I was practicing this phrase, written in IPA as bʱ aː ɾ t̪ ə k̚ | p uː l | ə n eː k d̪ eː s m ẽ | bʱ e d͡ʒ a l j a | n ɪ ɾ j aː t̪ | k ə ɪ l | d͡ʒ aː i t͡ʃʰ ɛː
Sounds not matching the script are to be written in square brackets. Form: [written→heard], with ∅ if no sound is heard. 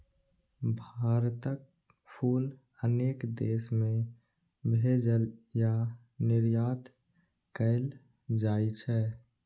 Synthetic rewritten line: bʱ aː ɾ t̪ ə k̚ | [p→pʰ] uː l | ə n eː k d̪ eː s m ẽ | bʱ e d͡ʒ [a→ə] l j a | n ɪ ɾ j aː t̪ | k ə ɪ l | d͡ʒ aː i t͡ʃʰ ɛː